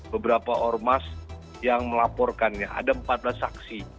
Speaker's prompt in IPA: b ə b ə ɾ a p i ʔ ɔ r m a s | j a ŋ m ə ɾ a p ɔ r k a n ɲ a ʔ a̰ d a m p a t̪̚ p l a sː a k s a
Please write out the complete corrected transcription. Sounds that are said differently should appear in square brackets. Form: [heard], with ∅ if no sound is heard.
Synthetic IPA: b ə b ə ɾ a p [a] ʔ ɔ r m a s | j a ŋ m ə [l] a p ɔ r k a n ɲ a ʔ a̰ d a m p a t̪̚ [b] l a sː a k s [i]